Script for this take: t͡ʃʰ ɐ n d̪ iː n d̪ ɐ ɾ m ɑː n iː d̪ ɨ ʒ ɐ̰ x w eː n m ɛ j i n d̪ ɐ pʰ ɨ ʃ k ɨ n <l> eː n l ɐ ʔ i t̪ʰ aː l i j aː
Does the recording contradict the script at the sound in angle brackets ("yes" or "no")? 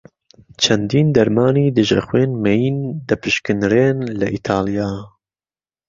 yes